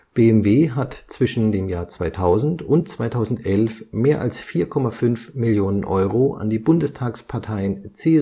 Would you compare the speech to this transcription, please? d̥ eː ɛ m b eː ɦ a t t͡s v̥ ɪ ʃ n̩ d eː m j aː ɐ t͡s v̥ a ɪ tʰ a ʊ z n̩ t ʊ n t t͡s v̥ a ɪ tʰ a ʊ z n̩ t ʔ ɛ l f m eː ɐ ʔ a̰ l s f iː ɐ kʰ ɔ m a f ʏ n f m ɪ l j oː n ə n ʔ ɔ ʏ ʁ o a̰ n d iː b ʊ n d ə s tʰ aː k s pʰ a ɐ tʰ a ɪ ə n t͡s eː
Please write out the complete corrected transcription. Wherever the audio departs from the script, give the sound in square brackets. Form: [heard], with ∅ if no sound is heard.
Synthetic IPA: [b̥] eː ɛ m [v] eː ɦ a t t͡s v̥ ɪ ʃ n̩ d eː m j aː ɐ t͡s v̥ a ɪ tʰ a ʊ z n̩ t ʊ n t t͡s v̥ a ɪ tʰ a ʊ z n̩ t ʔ ɛ l f m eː ɐ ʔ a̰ l s f iː ɐ kʰ ɔ m a f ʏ n f m ɪ l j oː n ə n ʔ ɔ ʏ ʁ o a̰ n d iː b ʊ n d ə s tʰ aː k s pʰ a ɐ tʰ a ɪ ə n t͡s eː